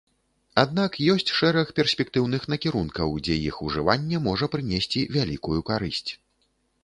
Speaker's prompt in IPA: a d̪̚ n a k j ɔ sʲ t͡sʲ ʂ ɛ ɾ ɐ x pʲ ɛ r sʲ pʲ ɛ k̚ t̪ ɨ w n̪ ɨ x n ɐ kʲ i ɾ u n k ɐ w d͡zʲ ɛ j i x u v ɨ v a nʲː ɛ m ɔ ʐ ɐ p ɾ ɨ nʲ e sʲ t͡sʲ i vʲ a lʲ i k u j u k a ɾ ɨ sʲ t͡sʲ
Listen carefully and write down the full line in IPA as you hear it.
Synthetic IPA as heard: a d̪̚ n a k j ɔ sʲ t͡sʲ ʂ ɛ ɾ ɐ x pʲ ɛ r sʲ pʲ ɛ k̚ t̪ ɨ w n̪ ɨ x n ɐ kʲ i ɾ u n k ɐ w d͡zʲ ɛ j i x u ʐ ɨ v a nʲː ɛ m ɔ ʐ ɐ p ɾ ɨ nʲ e sʲ t͡sʲ i vʲ a lʲ i k u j u k a ɾ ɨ sʲ t͡sʲ